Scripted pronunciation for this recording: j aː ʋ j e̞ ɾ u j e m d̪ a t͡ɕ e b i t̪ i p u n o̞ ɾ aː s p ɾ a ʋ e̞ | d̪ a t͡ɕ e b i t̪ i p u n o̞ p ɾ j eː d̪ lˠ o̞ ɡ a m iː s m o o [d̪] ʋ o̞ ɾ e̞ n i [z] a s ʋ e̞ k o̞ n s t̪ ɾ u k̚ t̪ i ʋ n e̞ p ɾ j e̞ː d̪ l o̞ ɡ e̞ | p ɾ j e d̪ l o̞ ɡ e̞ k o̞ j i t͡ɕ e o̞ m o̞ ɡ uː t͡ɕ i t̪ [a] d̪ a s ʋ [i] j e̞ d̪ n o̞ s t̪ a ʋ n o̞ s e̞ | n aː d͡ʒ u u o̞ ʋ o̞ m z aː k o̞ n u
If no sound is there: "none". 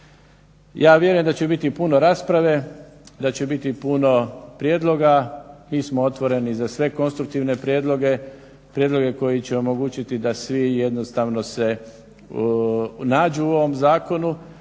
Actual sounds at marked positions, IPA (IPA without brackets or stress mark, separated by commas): t̪, z, i, i